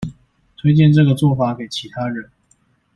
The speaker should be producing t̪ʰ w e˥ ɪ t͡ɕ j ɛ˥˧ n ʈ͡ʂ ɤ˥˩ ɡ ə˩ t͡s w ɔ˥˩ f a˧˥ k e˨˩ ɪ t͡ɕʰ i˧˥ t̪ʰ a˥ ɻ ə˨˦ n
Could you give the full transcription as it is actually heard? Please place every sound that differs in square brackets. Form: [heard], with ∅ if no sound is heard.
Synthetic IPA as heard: t̪ʰ w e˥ ɪ t͡ɕ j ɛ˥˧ n ʈ͡ʂ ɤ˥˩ ɡ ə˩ t͡s w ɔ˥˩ f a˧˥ k e˨˩ ɪ t͡ɕʰ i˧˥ t̪ʰ a˥ ɻ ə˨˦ n